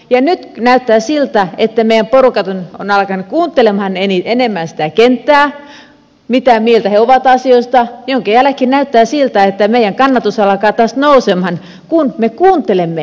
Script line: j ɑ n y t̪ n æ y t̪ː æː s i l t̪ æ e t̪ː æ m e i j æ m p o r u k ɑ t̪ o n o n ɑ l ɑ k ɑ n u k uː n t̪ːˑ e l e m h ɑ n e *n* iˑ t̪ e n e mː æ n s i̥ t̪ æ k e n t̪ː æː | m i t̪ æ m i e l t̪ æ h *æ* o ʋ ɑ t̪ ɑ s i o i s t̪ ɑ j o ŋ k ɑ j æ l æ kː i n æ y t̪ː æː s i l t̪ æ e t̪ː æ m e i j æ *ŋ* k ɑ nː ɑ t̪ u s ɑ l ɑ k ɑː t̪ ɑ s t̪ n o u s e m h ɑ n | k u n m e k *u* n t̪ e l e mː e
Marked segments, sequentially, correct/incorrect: correct, incorrect, correct, incorrect

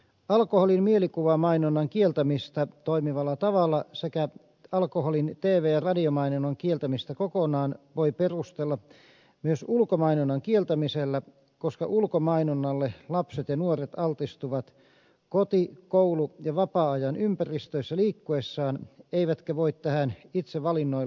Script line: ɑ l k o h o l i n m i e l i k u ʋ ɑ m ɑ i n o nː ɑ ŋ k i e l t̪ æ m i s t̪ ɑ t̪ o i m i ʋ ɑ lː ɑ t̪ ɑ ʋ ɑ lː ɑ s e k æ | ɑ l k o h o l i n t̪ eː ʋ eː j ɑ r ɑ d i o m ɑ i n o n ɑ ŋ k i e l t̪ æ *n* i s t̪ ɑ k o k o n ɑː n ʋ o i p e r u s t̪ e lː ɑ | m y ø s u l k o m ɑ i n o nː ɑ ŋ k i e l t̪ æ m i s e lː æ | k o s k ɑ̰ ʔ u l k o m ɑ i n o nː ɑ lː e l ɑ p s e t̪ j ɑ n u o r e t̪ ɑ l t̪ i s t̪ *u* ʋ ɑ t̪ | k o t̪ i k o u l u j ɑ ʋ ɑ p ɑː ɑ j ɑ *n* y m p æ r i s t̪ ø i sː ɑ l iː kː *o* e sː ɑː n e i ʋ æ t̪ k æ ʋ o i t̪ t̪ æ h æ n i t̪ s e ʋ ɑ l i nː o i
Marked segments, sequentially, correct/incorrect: incorrect, correct, correct, incorrect

